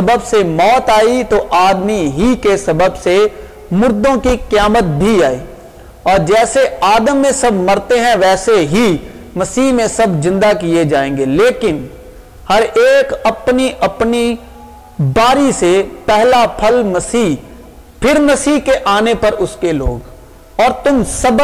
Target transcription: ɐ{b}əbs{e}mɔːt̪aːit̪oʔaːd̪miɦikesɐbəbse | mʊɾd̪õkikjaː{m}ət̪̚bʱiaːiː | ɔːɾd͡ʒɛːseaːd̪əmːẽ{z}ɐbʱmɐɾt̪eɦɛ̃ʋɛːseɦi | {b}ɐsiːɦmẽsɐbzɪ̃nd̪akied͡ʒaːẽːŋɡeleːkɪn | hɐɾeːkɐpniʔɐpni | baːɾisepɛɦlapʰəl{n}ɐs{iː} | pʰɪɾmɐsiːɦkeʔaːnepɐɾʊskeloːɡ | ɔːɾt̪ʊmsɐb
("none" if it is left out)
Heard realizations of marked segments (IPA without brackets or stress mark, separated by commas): b, e, m, s, m, m, iː